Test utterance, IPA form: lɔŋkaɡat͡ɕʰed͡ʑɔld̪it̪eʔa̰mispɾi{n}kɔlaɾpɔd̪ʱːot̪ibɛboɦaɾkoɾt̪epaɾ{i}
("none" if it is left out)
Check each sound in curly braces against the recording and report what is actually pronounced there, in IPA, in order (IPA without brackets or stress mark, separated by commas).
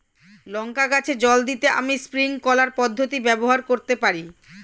ŋ, i